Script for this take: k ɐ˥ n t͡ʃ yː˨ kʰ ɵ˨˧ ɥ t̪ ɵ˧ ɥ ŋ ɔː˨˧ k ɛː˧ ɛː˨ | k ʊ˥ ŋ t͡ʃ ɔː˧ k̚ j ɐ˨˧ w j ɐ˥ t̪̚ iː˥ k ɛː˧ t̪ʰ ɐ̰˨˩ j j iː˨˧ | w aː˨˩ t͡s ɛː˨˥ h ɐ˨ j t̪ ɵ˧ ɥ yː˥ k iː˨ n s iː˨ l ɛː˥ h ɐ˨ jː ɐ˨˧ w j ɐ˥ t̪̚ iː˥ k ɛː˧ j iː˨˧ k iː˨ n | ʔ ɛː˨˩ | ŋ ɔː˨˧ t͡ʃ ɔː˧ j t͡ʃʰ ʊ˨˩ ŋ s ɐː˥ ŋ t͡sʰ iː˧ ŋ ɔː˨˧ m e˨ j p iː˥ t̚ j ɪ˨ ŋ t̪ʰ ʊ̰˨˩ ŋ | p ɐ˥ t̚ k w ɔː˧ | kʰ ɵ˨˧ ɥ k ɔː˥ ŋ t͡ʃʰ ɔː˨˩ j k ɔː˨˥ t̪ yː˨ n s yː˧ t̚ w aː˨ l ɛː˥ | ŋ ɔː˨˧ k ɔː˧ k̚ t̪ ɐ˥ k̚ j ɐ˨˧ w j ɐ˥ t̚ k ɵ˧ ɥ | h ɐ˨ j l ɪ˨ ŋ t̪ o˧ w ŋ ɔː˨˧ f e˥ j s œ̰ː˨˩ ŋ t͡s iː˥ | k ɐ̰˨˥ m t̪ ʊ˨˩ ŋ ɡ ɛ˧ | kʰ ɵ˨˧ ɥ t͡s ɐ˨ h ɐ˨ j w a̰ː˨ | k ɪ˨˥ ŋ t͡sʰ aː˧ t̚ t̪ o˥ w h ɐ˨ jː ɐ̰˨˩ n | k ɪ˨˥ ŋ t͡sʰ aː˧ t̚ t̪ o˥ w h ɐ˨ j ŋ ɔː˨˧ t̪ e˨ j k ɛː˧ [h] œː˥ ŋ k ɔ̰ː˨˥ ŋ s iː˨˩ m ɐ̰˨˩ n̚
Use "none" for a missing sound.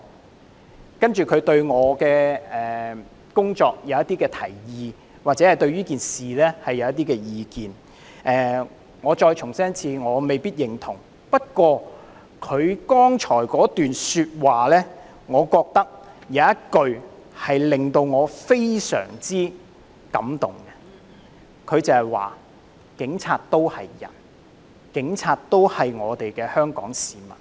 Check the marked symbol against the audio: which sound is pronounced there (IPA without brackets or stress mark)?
h